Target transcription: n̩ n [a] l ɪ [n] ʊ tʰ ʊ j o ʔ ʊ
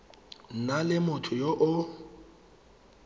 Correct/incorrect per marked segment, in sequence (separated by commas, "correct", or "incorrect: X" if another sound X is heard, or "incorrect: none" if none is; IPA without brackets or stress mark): correct, incorrect: m